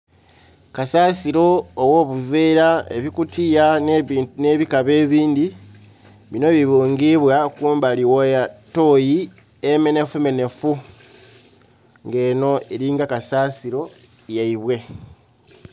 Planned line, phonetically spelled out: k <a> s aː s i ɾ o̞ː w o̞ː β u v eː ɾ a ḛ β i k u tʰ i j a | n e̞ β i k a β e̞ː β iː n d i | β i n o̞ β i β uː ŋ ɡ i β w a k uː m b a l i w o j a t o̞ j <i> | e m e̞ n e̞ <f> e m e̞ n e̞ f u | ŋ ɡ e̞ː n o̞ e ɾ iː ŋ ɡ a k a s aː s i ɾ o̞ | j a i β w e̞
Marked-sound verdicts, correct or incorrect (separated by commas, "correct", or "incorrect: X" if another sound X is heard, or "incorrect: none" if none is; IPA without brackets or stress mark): correct, correct, correct